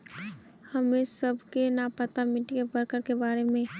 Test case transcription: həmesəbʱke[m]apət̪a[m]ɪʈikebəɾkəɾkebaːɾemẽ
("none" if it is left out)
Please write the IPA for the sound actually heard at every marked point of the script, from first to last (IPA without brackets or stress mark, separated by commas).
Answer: n, m